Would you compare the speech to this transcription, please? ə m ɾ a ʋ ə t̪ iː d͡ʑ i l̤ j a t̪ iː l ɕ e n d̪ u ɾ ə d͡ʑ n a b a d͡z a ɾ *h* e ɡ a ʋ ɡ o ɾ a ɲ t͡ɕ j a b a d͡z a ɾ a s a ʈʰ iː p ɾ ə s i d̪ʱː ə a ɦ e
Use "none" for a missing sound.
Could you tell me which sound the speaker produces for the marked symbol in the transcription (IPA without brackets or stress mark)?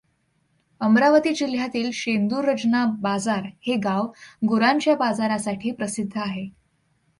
h